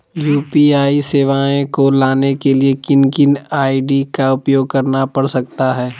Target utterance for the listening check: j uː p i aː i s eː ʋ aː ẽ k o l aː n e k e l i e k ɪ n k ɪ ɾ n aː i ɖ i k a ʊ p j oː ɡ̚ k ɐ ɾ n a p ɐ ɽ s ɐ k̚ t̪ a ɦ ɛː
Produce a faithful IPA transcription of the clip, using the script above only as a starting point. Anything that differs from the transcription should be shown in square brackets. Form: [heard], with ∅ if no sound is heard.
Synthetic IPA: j uː p i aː i s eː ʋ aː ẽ k o l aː n e k e l i e k ɪ n k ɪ [∅] n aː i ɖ i k a ʊ p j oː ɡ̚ k ɐ ɾ n a p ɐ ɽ s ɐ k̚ t̪ a ɦ ɛː